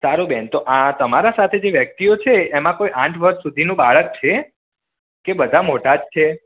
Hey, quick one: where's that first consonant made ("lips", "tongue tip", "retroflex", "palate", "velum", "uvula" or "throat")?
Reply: tongue tip